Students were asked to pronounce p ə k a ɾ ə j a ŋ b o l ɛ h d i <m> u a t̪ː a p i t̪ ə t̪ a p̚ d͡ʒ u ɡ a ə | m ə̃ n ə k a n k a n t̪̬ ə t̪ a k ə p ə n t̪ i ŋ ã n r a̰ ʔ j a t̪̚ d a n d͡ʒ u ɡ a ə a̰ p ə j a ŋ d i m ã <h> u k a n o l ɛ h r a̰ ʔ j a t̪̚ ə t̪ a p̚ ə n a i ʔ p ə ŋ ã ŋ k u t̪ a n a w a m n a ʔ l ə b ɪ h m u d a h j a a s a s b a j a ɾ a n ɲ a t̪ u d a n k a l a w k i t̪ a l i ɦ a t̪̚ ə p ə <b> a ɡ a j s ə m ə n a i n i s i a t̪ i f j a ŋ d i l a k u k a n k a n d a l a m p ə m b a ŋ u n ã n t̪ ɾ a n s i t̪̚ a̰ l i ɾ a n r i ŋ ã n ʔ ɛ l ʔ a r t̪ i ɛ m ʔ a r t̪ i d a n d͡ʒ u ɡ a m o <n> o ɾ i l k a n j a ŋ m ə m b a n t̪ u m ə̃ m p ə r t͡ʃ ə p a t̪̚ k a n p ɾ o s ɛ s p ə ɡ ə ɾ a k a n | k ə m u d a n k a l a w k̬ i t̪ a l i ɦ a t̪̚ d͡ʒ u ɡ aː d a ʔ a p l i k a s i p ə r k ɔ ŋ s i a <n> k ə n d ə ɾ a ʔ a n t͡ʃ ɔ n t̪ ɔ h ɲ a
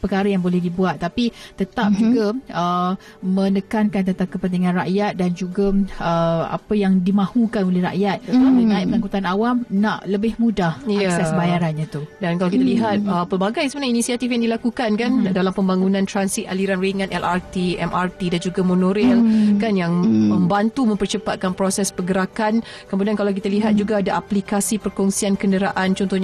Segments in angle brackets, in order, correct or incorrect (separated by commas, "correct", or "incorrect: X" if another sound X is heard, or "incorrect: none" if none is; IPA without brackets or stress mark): incorrect: b, correct, correct, correct, correct